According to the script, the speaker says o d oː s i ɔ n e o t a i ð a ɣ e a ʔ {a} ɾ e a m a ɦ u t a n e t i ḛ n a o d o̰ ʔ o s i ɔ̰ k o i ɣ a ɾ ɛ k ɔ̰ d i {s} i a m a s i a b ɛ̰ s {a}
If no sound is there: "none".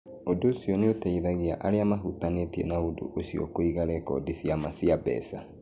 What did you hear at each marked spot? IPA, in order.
a, s, a

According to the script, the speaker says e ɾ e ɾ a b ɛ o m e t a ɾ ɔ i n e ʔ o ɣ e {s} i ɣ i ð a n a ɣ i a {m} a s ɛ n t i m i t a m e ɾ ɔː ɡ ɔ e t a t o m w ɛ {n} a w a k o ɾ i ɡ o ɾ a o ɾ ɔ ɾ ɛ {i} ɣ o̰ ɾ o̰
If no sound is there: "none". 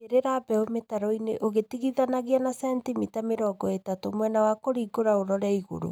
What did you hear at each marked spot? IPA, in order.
t, n, n, i

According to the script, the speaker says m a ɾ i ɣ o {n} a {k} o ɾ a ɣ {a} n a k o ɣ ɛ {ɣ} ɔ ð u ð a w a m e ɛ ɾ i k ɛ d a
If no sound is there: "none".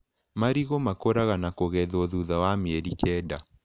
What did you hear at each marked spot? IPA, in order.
m, k, a, ð

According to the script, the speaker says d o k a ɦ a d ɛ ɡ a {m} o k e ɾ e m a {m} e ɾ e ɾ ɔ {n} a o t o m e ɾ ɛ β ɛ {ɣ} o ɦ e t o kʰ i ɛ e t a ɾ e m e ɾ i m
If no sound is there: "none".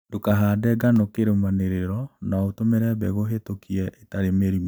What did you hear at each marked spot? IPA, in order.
n, n, n, ɣ

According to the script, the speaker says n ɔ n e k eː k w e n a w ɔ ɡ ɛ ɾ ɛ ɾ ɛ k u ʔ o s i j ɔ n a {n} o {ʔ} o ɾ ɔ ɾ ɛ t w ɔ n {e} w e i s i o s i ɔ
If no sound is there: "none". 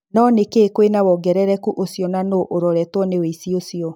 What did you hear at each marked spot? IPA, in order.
n, ʔ, e

